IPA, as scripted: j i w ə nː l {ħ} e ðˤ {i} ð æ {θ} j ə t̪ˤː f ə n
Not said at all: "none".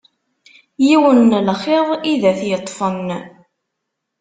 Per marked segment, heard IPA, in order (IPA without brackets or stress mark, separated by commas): χ, i, θ